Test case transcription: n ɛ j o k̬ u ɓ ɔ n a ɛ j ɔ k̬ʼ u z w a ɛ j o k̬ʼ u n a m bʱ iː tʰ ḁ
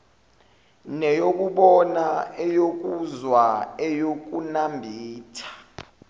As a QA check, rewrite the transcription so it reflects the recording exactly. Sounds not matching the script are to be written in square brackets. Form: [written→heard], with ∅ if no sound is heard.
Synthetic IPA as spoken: n ɛ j o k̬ u ɓ ɔ n a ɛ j [ɔ→o] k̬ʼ u z w a ɛ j o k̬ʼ u n a m bʱ iː tʰ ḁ